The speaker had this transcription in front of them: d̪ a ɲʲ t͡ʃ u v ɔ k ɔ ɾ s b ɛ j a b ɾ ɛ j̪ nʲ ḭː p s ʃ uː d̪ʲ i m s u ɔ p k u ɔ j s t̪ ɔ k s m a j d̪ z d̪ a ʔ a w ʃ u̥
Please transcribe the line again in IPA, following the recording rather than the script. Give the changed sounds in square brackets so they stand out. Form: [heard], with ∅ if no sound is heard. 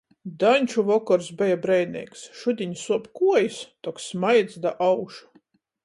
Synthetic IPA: d̪ a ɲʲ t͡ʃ u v ɔ k ɔ ɾ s b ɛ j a b ɾ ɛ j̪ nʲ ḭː [k] s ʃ [u] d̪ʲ i [ɲ] s u ɔ p k u ɔ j s t̪ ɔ k s m a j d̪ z d̪ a ʔ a w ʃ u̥